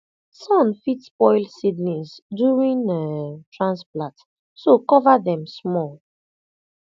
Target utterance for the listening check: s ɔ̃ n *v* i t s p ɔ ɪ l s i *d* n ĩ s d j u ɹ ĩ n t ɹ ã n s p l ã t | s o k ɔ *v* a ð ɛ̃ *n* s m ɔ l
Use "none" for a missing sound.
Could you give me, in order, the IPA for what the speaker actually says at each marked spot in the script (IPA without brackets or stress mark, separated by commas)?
f, d, v, m